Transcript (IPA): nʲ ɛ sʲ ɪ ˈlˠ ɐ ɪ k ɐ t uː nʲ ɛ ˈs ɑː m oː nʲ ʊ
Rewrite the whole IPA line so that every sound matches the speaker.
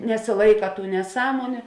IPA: nʲ ɛ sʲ ɪ ˈlˠ ɐ ɪ k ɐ t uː nʲ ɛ ˈs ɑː m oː nʲ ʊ